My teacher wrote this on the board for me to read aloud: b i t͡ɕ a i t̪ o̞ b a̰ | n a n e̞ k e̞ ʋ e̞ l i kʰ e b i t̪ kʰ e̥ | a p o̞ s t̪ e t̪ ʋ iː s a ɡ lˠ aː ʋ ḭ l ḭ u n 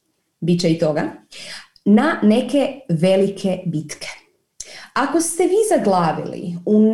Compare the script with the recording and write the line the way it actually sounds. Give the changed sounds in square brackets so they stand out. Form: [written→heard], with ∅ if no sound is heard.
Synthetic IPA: b i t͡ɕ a i t̪ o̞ [b→ɡ] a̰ | n a n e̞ k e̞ ʋ e̞ l i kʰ e b i t̪ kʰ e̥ | a [p→k] o̞ s t̪ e [t̪→∅] ʋ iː [s→z] a ɡ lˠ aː ʋ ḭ l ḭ u n